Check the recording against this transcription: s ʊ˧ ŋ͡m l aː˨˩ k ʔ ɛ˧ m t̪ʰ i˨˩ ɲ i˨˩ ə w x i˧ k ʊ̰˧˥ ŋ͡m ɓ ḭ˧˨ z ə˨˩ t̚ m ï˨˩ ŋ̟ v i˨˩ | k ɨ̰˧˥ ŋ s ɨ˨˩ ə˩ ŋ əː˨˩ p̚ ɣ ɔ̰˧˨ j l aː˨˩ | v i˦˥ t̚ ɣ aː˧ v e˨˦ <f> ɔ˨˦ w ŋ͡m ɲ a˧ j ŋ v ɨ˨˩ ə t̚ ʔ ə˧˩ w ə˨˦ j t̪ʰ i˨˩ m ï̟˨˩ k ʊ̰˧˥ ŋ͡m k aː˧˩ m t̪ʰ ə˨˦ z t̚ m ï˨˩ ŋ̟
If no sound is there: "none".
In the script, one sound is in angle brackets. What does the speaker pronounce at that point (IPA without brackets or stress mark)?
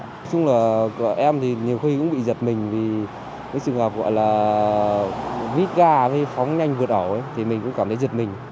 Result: f